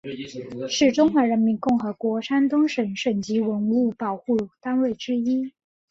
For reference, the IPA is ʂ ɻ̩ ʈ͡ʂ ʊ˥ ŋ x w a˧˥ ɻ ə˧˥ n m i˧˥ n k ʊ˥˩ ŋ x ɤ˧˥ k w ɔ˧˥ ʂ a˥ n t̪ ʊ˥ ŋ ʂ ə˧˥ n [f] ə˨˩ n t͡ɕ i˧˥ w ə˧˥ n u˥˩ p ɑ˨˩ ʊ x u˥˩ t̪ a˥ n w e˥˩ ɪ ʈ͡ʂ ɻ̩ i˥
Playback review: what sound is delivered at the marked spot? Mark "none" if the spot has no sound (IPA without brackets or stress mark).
ʂ